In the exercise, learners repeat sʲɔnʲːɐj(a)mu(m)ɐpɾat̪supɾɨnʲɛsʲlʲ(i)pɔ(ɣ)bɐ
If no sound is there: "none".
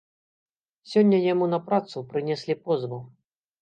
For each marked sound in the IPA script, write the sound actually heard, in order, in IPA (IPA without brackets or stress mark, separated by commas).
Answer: a, n, i, z